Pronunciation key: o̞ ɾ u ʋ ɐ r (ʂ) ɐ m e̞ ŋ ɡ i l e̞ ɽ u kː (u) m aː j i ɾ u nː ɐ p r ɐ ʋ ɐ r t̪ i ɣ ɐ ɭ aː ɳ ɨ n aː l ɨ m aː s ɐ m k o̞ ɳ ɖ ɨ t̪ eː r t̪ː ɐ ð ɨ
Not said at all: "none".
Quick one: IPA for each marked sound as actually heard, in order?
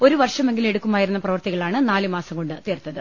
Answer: ʂ, u

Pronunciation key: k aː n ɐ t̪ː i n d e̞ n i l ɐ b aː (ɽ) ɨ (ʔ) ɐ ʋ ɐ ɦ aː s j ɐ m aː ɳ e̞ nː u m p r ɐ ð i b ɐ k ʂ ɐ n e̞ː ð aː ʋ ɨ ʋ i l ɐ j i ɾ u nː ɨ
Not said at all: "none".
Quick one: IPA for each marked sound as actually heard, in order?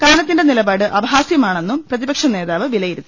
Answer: ɽ, ʔ

